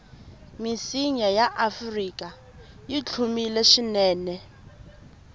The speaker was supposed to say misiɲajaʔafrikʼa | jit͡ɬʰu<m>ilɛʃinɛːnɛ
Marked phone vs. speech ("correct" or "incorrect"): correct